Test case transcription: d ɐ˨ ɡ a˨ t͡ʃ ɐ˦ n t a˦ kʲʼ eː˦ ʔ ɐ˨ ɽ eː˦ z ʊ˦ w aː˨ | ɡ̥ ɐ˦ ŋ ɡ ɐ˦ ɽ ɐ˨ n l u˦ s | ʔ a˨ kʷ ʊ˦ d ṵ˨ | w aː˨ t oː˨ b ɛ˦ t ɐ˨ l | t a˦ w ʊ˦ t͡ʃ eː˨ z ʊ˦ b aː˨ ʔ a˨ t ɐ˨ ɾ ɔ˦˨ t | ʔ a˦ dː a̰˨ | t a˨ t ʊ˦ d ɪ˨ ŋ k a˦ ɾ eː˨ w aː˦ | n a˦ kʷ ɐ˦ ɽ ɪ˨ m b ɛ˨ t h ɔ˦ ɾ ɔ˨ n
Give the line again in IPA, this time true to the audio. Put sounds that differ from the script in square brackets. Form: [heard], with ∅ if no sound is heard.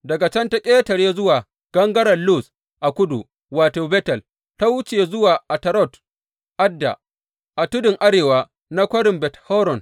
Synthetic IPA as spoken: d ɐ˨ ɡ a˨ t͡ʃ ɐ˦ n t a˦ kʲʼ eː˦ [t] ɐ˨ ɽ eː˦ z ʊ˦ w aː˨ | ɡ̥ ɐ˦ ŋ ɡ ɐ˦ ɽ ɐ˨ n l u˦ s | ʔ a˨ kʷ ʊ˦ d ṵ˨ | w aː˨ t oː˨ b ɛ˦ t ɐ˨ l | t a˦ w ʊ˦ t͡ʃ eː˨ z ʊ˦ [w] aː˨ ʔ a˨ t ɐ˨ ɾ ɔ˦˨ t | ʔ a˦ dː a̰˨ | [ʔ] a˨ t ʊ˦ d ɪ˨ ŋ [ʔ] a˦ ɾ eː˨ w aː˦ | n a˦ kʷ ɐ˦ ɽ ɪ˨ m b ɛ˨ t h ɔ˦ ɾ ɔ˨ n

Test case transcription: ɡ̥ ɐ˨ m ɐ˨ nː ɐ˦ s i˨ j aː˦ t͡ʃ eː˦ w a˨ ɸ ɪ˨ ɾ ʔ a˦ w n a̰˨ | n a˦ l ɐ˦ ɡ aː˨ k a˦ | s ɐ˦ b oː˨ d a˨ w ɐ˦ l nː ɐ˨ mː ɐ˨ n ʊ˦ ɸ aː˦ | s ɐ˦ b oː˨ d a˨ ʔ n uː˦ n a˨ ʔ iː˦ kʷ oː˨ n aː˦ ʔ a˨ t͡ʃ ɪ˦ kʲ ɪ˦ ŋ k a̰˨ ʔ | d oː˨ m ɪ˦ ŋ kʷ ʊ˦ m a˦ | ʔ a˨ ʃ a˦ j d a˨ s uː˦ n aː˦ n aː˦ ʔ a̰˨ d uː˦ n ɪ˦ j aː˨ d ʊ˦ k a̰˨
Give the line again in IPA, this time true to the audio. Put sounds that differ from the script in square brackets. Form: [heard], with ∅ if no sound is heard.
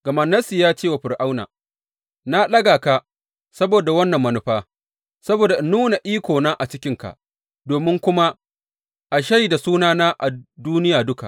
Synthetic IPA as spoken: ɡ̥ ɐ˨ m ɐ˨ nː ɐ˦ s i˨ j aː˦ t͡ʃ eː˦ w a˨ ɸ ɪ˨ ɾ ʔ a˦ w n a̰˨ | n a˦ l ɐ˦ ɡ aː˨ k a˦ | s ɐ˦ b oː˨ d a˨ w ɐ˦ [∅] nː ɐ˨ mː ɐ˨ n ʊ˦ ɸ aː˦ | s ɐ˦ b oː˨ d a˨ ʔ n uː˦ n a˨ ʔ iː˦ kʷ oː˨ n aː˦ ʔ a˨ t͡ʃ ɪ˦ kʲ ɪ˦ ŋ k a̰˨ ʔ | d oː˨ m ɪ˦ ŋ kʷ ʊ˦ m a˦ | ʔ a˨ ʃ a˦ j d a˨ s uː˦ n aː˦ n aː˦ ʔ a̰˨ d uː˦ n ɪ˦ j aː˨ d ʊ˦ k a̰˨

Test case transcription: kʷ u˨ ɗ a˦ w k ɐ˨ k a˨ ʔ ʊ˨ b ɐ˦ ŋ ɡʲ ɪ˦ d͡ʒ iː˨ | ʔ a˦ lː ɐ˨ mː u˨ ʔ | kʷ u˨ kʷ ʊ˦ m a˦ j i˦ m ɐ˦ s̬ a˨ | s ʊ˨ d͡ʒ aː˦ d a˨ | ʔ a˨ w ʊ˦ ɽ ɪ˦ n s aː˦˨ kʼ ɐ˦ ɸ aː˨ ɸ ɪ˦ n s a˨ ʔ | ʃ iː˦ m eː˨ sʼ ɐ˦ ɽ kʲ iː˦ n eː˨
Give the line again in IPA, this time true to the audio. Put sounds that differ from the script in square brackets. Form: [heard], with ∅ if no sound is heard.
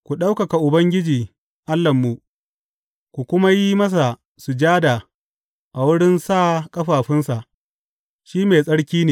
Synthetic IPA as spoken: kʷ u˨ ɗ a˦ w k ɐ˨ k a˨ ʔ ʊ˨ b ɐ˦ ŋ ɡʲ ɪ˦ d͡ʒ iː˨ | ʔ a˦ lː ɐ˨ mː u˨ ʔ | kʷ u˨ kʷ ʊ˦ m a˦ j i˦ m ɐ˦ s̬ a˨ | s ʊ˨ d͡ʒ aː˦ d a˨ | ʔ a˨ w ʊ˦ ɽ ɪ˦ n s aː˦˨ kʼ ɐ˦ ɸ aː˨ ɸ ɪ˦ n s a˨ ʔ | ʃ iː˦ m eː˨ sʼ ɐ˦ ɽ kʲ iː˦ n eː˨

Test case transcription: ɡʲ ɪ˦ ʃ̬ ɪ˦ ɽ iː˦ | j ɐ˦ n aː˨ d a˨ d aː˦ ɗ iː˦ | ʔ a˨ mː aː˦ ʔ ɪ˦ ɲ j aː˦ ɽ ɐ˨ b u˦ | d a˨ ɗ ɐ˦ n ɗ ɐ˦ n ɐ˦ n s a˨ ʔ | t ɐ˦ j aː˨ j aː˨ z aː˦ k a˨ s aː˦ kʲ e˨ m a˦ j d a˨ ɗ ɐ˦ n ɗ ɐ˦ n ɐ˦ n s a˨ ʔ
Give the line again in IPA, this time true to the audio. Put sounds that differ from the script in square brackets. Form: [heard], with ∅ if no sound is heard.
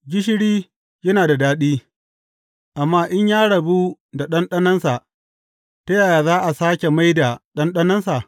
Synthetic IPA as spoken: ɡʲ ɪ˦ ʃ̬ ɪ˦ ɽ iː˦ | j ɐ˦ n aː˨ d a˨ d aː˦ ɗ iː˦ | ʔ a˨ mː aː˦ ʔ ɪ˦ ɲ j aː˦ ɽ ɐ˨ b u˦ | d a˨ ɗ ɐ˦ n ɗ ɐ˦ n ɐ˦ n s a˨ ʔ | t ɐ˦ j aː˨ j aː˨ z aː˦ [ʔ] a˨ s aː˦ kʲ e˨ m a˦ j d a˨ ɗ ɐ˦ n ɗ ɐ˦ n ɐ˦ n s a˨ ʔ

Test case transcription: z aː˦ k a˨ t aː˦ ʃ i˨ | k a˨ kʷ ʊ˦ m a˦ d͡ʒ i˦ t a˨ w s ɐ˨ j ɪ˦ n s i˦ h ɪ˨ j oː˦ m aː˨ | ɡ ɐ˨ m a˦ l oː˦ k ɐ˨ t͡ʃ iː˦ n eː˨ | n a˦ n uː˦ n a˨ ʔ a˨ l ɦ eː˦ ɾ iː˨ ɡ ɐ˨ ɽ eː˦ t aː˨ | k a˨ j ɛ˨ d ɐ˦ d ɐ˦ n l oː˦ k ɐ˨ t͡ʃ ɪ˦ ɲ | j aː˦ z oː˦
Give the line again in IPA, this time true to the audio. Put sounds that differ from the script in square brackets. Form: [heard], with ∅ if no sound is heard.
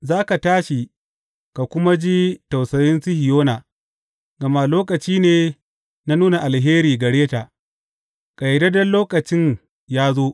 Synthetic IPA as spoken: z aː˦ k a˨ t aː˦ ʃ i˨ | k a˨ kʷ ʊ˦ m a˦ d͡ʒ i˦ t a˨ w s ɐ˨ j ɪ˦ n s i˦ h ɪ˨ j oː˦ [n] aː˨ | ɡ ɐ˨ m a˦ l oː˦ k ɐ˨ t͡ʃ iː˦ n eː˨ | n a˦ n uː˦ n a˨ ʔ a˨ l ɦ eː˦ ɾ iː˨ ɡ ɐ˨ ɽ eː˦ t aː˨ | k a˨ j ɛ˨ d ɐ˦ d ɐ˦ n l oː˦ k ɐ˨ t͡ʃ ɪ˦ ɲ | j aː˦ z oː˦

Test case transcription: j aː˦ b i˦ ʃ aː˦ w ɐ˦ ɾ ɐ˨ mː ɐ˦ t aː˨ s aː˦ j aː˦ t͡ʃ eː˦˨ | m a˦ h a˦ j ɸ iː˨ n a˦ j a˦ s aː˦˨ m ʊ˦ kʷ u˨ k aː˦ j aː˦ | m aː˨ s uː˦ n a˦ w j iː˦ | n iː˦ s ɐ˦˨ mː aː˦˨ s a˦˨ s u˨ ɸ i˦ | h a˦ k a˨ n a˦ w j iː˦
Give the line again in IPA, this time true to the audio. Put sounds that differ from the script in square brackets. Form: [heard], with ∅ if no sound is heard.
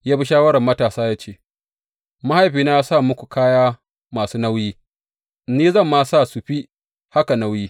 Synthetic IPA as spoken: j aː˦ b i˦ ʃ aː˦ w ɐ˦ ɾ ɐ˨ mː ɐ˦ t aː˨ s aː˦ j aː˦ t͡ʃ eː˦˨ | m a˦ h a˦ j ɸ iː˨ n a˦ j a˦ s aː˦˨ m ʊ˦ kʷ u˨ k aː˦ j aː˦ | m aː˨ s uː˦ n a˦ w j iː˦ | n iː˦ [z] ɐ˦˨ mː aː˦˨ s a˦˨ s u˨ ɸ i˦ | h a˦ k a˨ n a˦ w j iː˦

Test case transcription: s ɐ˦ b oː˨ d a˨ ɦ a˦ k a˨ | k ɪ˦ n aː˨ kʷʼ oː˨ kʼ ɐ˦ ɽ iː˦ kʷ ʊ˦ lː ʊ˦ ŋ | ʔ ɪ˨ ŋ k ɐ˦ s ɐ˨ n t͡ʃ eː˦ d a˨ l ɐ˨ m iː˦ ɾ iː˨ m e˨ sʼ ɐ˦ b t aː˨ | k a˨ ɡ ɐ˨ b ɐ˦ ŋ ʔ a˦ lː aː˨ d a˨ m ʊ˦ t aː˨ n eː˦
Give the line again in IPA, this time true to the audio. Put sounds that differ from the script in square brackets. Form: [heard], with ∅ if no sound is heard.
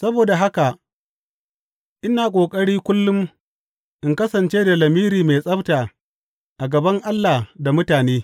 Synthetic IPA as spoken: s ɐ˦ b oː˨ d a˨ ɦ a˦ k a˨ | [ʔ] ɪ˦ n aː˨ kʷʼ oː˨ kʼ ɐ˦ ɽ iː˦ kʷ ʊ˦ lː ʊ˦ [m] | ʔ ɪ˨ ŋ k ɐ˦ s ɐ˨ n t͡ʃ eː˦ d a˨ l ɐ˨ m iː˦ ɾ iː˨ m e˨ sʼ ɐ˦ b t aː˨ | [ʔ] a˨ ɡ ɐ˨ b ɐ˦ ŋ ʔ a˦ lː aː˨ d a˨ m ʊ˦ t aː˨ n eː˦

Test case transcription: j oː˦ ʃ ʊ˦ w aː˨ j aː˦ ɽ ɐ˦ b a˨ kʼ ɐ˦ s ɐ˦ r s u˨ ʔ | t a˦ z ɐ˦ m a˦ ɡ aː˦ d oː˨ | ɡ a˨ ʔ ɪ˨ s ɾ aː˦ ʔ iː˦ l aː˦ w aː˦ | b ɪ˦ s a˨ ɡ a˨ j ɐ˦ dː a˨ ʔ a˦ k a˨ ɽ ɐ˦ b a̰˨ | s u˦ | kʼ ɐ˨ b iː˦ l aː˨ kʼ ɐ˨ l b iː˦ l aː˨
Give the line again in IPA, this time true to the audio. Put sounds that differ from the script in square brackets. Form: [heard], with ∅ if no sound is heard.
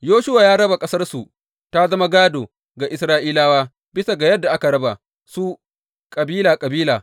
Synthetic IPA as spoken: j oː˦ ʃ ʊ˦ w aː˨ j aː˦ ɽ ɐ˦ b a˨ kʼ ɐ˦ s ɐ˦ r s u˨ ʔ | t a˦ z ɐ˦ m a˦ ɡ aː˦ d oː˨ | ɡ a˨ ʔ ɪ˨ s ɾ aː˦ ʔ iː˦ l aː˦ w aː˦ | b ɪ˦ s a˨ ɡ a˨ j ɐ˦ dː a˨ ʔ a˦ k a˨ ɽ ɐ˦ b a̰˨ | s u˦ | kʼ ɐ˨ b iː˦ l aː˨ kʼ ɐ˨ [∅] b iː˦ l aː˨

